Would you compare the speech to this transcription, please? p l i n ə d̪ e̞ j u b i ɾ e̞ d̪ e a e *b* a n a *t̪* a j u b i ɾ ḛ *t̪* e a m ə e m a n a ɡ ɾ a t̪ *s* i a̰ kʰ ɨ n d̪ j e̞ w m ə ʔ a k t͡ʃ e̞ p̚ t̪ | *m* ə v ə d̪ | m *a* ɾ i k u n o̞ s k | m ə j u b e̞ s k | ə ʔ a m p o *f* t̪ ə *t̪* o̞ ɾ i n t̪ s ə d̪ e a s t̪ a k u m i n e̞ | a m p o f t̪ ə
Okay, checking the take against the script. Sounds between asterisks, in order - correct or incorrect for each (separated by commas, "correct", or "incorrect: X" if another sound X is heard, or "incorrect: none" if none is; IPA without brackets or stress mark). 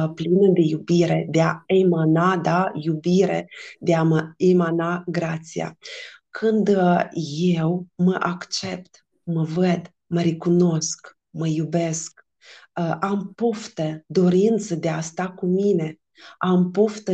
incorrect: m, incorrect: d̪, incorrect: d̪, correct, correct, incorrect: ə, correct, incorrect: d̪